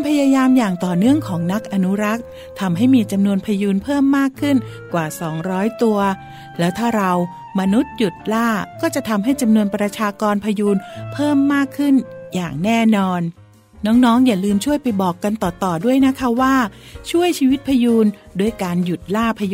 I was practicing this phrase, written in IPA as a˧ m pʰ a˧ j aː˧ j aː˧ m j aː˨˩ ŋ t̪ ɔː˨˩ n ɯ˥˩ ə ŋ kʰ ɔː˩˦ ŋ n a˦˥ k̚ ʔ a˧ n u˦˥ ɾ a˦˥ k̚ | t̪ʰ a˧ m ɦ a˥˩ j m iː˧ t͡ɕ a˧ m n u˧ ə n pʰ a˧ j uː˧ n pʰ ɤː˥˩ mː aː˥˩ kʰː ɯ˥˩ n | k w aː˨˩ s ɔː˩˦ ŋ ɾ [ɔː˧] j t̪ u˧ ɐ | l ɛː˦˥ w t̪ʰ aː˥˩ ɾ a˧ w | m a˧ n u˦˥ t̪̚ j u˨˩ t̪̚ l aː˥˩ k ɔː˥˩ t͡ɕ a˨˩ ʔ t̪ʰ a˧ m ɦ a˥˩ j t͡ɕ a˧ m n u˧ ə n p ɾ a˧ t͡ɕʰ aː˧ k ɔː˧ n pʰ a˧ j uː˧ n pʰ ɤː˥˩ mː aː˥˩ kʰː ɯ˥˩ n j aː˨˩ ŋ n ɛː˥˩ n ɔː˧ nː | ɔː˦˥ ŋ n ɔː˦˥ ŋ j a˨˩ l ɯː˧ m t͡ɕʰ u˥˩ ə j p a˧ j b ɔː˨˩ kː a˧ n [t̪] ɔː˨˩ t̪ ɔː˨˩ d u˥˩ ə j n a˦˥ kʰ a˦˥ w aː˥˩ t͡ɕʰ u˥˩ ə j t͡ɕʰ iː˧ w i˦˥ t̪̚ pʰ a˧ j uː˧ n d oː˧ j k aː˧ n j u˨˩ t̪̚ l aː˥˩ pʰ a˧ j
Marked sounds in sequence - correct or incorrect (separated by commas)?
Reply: incorrect, correct